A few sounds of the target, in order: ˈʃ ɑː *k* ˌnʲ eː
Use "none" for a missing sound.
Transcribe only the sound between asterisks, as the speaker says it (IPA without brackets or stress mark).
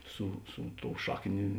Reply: k